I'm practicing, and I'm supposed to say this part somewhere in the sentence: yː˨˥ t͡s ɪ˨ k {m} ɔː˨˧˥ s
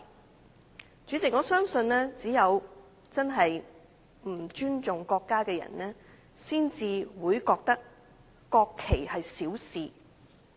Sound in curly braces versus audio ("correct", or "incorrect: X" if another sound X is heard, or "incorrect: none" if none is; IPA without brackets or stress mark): incorrect: ŋ